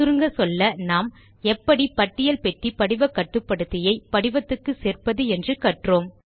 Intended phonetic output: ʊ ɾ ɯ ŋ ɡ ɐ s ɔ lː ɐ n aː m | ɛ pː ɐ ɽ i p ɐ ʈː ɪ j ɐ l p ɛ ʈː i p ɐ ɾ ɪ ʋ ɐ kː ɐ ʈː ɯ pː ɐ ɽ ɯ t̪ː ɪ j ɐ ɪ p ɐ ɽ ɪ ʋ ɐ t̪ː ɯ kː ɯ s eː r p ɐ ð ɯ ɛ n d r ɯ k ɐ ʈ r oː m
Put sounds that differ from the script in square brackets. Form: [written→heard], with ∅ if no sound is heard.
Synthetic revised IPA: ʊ ɾ ɯ ŋ ɡ ɐ s ɔ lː ɐ n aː m | ɛ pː ɐ ɽ i p ɐ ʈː ɪ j ɐ l p ɛ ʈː i p ɐ [ɾ→ɽ] ɪ ʋ ɐ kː ɐ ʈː ɯ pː ɐ ɽ ɯ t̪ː ɪ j ɐ ɪ p ɐ ɽ ɪ ʋ ɐ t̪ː ɯ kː ɯ s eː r p ɐ ð ɯ ɛ n d r ɯ k ɐ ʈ r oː m